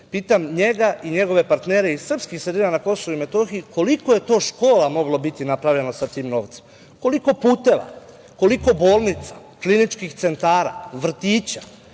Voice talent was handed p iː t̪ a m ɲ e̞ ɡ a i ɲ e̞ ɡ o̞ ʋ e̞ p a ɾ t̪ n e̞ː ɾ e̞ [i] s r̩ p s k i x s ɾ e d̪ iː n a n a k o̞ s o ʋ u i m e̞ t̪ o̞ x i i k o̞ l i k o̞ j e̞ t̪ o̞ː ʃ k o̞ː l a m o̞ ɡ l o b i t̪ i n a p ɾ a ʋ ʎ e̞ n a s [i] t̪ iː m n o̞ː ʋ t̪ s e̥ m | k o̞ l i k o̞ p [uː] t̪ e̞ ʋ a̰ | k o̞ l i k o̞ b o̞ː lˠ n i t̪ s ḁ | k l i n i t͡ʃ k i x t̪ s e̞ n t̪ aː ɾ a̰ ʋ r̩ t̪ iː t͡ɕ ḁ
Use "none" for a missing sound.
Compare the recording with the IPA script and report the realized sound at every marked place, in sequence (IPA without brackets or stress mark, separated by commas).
i, a, uː